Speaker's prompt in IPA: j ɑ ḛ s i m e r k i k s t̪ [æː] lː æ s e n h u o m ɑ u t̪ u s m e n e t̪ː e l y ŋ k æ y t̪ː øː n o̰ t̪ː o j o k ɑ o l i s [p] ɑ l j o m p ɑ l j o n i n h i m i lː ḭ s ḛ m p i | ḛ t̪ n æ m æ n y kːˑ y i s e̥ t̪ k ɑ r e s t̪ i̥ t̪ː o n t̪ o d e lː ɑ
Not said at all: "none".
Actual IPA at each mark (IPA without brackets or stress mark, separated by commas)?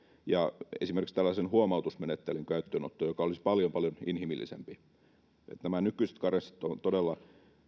æ, p